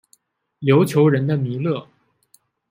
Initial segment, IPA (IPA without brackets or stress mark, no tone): l